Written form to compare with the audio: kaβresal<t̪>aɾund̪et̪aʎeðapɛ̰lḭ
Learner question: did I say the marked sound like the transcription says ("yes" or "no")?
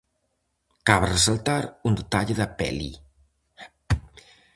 yes